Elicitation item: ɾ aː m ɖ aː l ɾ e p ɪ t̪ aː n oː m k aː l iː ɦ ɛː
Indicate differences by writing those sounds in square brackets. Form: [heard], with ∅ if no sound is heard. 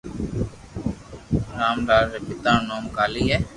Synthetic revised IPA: ɾ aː m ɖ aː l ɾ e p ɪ t̪ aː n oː m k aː l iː ɦ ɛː